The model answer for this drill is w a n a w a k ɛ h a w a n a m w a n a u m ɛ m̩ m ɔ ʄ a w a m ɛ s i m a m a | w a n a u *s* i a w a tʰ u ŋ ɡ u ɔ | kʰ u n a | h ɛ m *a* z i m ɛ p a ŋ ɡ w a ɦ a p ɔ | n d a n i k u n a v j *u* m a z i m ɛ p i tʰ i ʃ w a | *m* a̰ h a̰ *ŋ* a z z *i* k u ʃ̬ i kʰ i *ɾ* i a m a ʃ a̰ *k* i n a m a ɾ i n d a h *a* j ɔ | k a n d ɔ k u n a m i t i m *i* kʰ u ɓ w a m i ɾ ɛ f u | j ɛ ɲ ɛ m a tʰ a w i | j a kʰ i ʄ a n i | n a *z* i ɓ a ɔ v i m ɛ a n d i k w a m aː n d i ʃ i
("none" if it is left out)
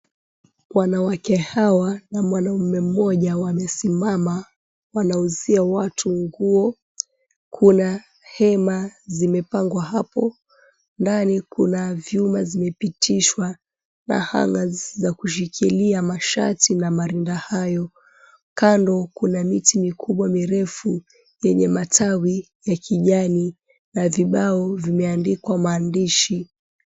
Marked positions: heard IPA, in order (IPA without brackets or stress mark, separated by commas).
z, a, u, n, ŋ, a, l, t, a, i, v